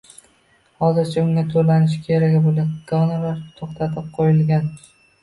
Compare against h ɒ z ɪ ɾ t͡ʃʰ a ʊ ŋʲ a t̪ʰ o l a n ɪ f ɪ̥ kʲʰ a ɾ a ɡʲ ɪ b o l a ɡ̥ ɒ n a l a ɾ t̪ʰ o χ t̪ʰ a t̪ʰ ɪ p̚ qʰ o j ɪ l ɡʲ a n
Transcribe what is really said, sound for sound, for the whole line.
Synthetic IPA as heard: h ɒ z ɪ ɾ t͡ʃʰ a ʊ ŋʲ a t̪ʰ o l a n ɪ ʃ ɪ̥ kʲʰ e ɾ a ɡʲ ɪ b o l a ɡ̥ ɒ n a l a ɾ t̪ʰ o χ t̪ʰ a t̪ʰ ɪ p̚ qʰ o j ɪ l ɡʲ a n